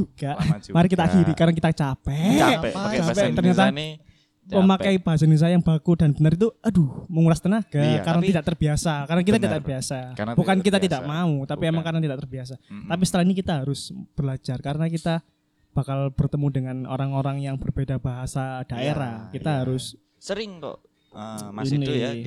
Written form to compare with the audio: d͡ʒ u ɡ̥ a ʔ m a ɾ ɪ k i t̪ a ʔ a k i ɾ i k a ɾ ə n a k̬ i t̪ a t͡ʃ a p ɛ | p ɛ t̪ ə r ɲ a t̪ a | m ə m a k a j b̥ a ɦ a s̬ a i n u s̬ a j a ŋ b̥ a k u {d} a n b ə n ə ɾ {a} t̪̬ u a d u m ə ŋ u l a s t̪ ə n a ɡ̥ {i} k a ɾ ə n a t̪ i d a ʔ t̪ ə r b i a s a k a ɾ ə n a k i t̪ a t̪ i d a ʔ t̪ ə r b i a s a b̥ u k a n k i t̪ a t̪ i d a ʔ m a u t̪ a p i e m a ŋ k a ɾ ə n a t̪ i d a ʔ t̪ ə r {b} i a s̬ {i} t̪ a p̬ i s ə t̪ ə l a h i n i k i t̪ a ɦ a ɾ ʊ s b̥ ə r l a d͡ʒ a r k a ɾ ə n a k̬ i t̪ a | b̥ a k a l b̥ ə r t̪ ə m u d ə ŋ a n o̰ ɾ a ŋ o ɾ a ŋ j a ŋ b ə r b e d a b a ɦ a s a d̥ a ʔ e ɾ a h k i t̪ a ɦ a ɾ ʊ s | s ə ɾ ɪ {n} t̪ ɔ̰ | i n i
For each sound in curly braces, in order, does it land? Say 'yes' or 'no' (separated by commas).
yes, no, no, yes, no, no